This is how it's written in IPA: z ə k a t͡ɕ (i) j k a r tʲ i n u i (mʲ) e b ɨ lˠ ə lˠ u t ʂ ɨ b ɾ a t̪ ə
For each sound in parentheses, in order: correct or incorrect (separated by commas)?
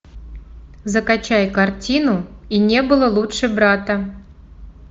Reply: incorrect, incorrect